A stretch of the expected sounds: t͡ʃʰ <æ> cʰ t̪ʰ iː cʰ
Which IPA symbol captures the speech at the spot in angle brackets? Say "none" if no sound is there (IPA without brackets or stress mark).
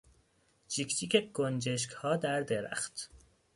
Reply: i